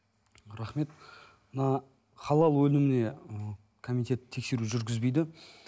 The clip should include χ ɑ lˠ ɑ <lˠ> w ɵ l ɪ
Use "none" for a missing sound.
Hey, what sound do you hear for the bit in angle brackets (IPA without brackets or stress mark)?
lˠ